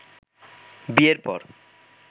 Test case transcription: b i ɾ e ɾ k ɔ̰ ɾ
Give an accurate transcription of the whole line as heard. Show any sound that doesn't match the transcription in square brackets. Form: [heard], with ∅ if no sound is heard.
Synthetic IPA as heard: b i [∅] e ɾ [p] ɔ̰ ɾ